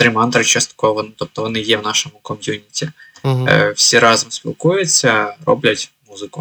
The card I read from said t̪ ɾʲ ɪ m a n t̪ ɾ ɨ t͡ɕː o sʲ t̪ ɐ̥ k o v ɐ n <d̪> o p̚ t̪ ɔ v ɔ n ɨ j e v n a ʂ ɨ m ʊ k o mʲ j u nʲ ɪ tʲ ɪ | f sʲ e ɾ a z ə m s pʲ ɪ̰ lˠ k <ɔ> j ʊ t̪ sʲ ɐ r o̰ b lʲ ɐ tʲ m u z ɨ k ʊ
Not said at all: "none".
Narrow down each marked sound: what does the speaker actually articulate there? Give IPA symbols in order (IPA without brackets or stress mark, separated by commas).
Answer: t̪, u